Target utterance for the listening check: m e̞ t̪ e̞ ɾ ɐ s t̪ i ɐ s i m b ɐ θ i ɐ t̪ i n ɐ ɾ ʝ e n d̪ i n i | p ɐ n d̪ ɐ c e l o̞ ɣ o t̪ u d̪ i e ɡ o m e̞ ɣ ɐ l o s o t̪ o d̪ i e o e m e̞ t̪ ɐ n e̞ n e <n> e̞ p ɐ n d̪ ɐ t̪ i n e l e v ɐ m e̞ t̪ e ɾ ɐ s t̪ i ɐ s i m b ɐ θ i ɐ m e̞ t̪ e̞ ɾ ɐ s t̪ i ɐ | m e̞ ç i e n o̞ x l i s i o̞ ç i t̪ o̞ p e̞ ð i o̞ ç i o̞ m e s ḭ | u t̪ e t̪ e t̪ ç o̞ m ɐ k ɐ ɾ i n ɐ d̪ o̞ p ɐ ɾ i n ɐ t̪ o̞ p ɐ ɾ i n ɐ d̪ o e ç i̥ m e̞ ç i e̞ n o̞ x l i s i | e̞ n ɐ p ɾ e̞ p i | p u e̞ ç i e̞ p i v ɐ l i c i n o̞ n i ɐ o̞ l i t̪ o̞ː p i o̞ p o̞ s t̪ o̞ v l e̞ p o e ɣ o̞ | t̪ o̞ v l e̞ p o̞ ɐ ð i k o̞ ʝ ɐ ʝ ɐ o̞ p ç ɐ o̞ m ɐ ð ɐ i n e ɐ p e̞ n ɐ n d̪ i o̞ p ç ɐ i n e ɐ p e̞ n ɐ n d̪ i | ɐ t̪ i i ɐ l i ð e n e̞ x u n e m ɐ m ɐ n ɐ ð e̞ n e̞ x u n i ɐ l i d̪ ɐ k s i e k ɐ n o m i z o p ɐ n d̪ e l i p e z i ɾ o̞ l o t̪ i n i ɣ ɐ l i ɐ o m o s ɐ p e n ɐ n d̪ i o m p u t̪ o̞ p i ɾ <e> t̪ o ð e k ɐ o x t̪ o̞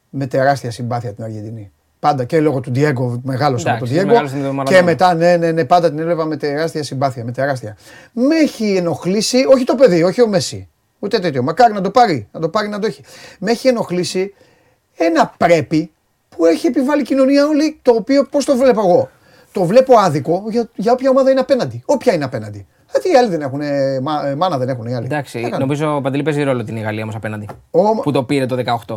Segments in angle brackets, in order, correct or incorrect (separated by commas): correct, correct